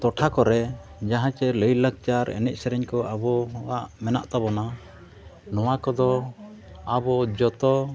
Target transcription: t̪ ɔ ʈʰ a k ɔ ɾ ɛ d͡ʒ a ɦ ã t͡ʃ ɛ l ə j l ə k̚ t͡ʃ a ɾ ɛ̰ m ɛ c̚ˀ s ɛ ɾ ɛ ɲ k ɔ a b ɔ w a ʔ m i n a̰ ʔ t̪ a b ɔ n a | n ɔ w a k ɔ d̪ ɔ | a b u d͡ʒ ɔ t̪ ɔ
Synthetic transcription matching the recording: t̪ ɔ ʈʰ a k ɔ ɾ ɛ d͡ʒ a ɦ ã t͡ʃ ɛ l ə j l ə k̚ t͡ʃ a ɾ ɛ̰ n ɛ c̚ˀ s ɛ ɾ ɛ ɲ k ɔ a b ɔ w a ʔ m ɛ n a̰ ʔ t̪ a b ɔ n a | n ɔ w a k ɔ d̪ ɔ | a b ɔ d͡ʒ ɔ t̪ ɔ